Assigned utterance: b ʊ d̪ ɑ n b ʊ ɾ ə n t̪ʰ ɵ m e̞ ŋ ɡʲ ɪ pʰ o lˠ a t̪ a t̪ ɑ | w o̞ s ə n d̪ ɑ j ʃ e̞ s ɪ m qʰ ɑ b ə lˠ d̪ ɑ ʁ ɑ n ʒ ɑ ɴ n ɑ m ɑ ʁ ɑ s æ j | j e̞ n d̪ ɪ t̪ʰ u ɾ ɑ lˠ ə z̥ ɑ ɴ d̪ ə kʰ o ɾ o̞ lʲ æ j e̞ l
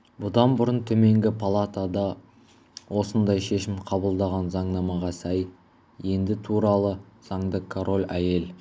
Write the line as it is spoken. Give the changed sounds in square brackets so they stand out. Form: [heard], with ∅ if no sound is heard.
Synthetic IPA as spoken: b ʊ d̪ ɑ n b ʊ ɾ ə n t̪ʰ ɵ m e̞ ŋ ɡʲ ɪ pʰ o lˠ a t̪ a [d̪] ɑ | w o̞ s ə n d̪ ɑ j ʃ e̞ [ʃ] ɪ m qʰ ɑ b ə lˠ d̪ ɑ ʁ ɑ n [z] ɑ ɴ n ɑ m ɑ ʁ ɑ s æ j | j e̞ n d̪ ɪ t̪ʰ u ɾ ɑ lˠ ə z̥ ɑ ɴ d̪ ə kʰ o ɾ o̞ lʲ æ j e̞ l

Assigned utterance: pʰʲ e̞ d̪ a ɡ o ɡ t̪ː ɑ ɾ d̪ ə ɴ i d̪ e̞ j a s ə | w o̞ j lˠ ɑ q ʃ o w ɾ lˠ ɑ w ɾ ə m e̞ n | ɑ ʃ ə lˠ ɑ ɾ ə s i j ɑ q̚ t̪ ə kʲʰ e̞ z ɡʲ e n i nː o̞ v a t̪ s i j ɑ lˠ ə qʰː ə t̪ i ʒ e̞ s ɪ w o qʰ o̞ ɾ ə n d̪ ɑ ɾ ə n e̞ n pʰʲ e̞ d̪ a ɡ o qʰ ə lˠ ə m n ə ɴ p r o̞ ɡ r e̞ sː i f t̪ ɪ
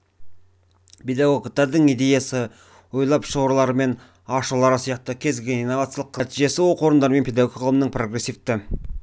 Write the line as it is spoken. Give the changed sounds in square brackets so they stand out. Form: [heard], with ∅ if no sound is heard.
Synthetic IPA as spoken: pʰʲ e̞ d̪ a ɡ o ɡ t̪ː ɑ ɾ d̪ ə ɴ i d̪ e̞ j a s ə | w o̞ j lˠ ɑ [p] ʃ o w ɾ lˠ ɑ [∅] ɾ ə m e̞ n | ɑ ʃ ə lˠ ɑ ɾ ə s i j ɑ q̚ t̪ ə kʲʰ e̞ z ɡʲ e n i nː o̞ v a t̪ s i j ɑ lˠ ə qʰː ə t̪ i ʒ e̞ s ɪ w o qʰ o̞ ɾ ə n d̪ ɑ ɾ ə [m] e̞ n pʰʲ e̞ d̪ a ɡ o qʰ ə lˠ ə m n ə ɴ p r o̞ ɡ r e̞ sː i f t̪ ɪ

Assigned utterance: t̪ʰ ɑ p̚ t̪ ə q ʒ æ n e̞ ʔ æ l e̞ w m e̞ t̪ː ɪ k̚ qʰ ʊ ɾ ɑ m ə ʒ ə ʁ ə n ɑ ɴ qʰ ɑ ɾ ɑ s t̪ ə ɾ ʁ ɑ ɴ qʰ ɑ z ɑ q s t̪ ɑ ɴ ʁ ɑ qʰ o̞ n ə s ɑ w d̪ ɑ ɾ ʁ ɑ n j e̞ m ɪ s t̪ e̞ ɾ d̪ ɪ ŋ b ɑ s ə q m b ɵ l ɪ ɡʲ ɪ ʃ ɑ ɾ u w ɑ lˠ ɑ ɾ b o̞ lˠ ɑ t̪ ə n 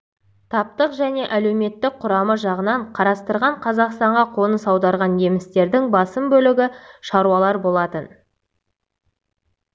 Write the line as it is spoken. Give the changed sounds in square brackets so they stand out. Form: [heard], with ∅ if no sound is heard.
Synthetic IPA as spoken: t̪ʰ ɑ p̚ t̪ ə q ʒ æ n e̞ ʔ æ l e̞ w m e̞ t̪ː ɪ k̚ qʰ ʊ ɾ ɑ m ə ʒ [ɑ] ʁ ə n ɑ ɴ qʰ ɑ ɾ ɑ s t̪ ə ɾ ʁ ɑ ɴ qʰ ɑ z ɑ q s t̪ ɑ ɴ ʁ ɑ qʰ o̞ n ə s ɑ w d̪ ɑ ɾ ʁ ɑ n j e̞ m ɪ s t̪ e̞ ɾ d̪ ɪ ŋ b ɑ s ə [∅] m b ɵ l ɪ ɡʲ ɪ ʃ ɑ ɾ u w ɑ lˠ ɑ ɾ b o̞ lˠ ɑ t̪ ə n

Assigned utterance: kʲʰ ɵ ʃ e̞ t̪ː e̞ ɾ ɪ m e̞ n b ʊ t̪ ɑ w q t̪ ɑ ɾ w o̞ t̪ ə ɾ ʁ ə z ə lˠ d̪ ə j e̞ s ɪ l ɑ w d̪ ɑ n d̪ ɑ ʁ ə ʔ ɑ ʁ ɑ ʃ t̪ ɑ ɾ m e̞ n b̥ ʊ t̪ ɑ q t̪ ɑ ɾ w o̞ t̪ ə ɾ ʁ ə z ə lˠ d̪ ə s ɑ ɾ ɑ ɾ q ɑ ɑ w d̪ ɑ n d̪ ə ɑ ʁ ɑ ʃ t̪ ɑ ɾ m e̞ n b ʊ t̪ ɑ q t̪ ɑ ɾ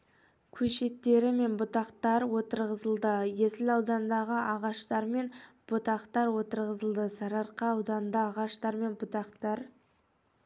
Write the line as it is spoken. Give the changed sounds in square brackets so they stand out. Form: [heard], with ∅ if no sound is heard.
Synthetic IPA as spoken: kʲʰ ɵ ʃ e̞ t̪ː e̞ ɾ ɪ m e̞ n b ʊ t̪ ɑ [∅] q t̪ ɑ ɾ w o̞ t̪ ə ɾ ʁ ə z ə lˠ d̪ ə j e̞ s ɪ l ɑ w d̪ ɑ n d̪ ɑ ʁ ə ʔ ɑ ʁ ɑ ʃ t̪ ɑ ɾ m e̞ n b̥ ʊ t̪ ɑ q t̪ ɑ ɾ w o̞ t̪ ə ɾ ʁ ə z ə lˠ d̪ ə s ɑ ɾ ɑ ɾ q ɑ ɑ w d̪ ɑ n d̪ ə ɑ ʁ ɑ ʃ t̪ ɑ ɾ m e̞ n b ʊ t̪ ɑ q t̪ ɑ ɾ

